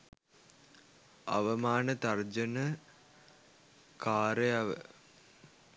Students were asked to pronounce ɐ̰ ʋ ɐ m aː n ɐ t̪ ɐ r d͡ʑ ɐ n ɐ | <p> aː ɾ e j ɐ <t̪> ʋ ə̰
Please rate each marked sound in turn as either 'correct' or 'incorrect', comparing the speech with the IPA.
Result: incorrect: k, incorrect: none

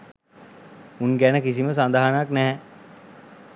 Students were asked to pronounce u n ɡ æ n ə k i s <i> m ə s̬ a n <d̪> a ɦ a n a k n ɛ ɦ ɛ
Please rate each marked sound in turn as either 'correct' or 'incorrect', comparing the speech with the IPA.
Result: correct, correct

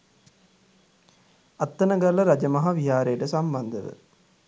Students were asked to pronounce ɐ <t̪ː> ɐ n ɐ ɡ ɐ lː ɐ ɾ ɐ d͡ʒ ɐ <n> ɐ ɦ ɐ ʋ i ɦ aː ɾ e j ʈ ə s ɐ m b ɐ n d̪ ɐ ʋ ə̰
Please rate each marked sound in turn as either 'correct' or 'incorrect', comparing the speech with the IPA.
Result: correct, incorrect: m

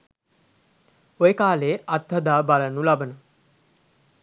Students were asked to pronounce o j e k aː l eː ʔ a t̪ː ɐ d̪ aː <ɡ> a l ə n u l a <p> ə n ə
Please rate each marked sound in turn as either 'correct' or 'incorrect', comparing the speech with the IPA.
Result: incorrect: b, incorrect: b

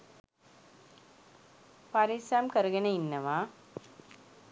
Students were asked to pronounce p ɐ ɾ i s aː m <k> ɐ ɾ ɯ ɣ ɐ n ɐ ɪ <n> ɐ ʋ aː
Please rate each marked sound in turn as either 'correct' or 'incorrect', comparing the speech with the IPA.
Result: correct, incorrect: nː

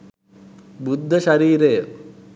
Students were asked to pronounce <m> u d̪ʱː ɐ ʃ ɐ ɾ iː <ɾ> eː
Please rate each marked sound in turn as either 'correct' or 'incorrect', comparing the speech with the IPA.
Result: incorrect: b, correct

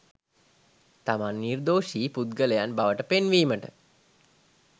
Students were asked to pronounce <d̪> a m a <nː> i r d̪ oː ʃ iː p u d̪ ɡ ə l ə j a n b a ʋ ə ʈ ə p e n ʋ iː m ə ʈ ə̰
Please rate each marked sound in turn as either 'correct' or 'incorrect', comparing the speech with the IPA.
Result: incorrect: t̪, correct

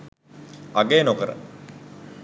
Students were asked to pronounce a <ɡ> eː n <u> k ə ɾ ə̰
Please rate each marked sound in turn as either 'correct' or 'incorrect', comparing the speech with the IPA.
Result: correct, incorrect: o

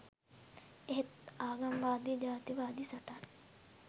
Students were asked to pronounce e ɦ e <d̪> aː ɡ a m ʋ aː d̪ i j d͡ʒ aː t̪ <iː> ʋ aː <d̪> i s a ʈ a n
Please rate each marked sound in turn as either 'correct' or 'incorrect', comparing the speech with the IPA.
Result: incorrect: t̪, incorrect: i, correct

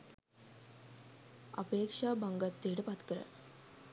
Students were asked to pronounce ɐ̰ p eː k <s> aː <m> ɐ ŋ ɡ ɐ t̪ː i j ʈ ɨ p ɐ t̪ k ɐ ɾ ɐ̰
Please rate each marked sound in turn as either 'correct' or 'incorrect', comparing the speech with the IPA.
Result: incorrect: ʂ, incorrect: b

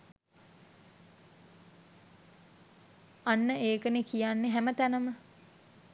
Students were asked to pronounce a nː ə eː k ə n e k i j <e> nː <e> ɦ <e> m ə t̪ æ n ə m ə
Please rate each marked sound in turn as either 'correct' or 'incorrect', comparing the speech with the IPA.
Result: incorrect: a, correct, incorrect: æ

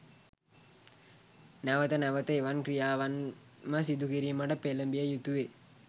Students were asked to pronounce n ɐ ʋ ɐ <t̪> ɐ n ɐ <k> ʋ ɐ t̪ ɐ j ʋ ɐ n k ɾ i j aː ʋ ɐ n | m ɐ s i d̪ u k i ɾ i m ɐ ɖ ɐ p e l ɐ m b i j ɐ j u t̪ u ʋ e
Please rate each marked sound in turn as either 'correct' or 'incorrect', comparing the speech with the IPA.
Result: correct, incorrect: none

